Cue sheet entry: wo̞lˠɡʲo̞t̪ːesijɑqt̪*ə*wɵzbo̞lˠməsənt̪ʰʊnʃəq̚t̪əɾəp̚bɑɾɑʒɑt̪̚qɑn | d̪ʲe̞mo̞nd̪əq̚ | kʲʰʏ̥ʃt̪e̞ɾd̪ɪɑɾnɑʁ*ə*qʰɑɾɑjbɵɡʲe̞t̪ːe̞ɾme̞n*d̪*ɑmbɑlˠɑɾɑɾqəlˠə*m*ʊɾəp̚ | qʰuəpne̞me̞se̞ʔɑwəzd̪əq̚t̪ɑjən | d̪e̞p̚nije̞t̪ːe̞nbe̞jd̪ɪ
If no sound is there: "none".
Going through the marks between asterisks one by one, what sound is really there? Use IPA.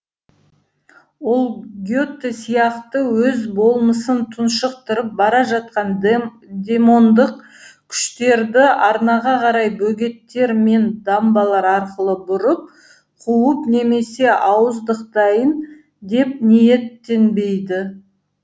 ə, ɑ, d̪, b

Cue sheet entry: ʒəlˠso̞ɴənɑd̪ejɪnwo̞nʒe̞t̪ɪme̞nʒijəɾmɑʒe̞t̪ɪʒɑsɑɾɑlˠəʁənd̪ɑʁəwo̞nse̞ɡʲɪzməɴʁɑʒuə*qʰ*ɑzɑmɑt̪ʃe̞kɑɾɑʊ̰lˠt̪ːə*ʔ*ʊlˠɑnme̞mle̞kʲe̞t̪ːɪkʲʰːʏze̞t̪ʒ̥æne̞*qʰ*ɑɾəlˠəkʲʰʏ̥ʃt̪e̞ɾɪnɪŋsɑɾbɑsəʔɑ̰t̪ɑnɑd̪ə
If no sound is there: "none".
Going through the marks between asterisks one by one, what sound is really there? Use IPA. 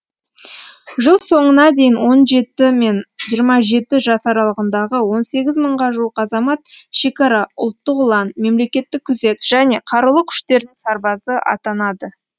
q, q, qʰ

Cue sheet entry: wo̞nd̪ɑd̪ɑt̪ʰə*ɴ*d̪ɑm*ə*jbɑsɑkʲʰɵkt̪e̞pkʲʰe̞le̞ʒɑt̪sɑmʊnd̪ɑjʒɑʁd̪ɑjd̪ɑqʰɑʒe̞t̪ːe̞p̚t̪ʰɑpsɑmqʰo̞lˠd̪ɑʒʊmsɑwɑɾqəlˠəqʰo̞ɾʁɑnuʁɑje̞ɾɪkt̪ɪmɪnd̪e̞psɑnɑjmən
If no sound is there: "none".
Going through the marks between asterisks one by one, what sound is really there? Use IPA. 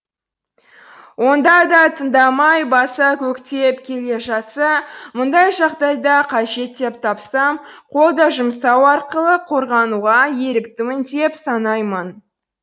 n, ɑ

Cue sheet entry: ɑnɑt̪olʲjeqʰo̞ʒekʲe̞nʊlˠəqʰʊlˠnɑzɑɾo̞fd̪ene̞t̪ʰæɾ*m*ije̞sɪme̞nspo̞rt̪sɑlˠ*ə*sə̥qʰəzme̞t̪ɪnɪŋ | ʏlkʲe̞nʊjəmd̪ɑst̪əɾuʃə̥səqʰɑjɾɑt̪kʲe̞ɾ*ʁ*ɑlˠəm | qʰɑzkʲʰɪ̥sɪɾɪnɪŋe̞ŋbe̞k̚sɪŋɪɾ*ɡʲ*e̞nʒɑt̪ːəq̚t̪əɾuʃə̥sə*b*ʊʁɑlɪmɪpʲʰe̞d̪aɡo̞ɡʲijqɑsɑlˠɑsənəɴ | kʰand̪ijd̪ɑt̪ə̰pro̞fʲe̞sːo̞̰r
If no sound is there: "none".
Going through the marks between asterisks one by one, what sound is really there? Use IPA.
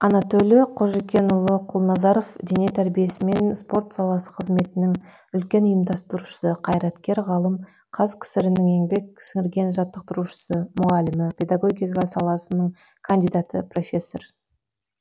b, ɑ, ʁ, ɡʲ, m

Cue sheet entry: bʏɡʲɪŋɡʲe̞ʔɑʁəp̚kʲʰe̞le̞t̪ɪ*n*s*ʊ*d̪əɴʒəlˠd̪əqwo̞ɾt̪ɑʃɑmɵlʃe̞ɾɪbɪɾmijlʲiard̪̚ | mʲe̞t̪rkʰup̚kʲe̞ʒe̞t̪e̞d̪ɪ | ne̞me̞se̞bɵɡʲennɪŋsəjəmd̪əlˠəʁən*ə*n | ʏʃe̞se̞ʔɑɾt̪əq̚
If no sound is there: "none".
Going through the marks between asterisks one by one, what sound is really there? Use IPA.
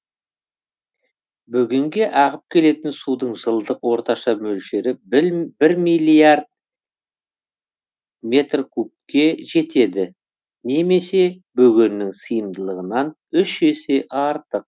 n, u, ɑ

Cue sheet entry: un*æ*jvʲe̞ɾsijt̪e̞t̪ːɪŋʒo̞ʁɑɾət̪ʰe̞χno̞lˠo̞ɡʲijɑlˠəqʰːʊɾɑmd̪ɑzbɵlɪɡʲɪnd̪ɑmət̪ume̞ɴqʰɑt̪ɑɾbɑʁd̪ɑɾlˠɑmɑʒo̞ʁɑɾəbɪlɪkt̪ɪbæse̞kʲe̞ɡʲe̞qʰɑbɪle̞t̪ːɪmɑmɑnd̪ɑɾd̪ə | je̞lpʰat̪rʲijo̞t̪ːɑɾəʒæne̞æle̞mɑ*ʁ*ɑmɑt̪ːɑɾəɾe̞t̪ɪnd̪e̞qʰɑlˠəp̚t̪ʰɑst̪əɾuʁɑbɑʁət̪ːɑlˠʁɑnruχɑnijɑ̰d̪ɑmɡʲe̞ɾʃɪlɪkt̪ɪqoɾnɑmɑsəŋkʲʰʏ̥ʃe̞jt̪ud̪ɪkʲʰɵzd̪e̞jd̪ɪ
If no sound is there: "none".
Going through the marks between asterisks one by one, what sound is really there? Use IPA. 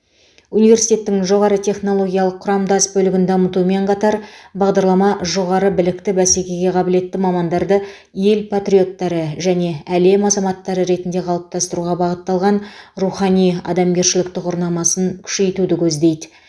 i, z

